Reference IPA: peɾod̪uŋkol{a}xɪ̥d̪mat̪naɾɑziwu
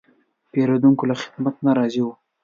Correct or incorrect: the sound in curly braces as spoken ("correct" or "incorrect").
correct